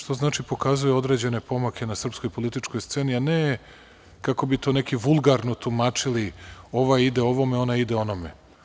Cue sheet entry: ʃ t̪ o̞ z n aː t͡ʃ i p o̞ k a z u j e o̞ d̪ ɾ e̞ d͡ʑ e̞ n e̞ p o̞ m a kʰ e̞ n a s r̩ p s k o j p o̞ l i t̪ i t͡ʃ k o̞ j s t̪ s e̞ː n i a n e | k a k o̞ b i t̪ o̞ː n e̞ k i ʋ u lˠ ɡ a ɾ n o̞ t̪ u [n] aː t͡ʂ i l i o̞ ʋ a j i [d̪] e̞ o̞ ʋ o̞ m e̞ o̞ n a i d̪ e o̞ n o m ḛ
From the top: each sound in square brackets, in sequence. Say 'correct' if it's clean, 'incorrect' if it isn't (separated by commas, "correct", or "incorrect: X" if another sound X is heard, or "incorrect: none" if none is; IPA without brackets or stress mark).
incorrect: m, correct